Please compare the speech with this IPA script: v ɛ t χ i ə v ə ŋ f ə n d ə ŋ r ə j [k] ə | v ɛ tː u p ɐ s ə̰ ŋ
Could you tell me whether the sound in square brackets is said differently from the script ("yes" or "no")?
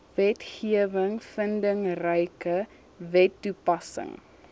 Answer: no